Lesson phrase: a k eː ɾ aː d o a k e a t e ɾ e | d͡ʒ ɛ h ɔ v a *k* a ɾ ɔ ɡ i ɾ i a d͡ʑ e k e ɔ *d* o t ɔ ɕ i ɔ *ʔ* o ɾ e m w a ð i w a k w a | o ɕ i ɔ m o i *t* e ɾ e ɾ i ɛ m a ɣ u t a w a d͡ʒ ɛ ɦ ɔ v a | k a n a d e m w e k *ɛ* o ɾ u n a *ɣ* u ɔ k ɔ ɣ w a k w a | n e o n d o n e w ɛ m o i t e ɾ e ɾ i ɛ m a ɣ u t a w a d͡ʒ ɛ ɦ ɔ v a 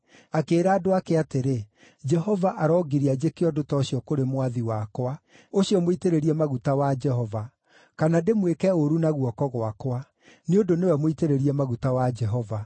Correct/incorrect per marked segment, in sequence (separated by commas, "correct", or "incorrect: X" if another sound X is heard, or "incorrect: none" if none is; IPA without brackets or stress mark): incorrect: ʔ, correct, incorrect: k, correct, correct, correct